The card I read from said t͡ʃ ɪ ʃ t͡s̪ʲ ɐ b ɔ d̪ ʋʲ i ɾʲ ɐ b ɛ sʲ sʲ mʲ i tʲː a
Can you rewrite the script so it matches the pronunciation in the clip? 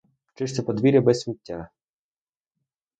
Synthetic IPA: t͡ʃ ɪ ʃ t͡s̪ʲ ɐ p ɔ d̪ ʋʲ i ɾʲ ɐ b ɛ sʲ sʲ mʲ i tʲː a